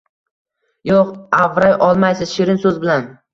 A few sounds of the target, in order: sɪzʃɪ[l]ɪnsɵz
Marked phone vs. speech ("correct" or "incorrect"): incorrect